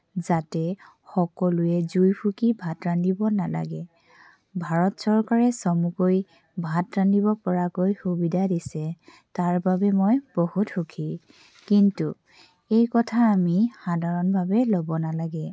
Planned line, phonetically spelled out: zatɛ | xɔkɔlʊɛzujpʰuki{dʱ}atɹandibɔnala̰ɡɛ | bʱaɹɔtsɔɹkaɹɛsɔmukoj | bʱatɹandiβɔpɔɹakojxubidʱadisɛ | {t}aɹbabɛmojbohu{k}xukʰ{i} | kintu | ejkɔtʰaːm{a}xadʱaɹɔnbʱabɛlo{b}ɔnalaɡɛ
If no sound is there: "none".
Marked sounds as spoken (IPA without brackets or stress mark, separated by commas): bʱ, t, t, i, i, b